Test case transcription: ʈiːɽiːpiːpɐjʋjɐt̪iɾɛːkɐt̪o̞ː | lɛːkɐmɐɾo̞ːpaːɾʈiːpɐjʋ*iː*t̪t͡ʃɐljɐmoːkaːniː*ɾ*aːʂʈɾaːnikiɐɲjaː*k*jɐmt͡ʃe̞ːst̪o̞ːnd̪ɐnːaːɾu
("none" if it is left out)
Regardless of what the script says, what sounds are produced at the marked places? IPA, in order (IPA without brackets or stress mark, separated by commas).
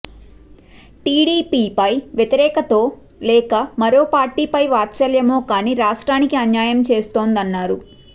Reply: aː, ɾ, none